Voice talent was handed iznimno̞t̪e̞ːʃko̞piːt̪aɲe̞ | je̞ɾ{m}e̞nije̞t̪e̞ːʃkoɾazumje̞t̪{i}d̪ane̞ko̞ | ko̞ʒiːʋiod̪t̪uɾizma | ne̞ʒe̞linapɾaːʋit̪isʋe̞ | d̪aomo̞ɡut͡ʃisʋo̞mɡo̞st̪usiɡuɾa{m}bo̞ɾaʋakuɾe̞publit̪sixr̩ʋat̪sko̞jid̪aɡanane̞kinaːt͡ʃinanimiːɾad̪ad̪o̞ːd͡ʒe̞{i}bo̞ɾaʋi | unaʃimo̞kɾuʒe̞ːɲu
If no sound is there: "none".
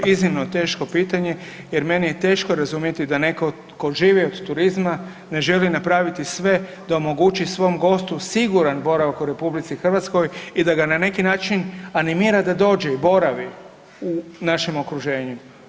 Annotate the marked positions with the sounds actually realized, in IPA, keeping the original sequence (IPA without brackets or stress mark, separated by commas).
m, i, n, i